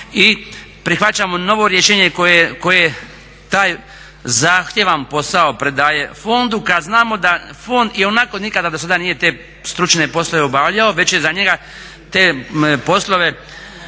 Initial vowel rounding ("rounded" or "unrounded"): unrounded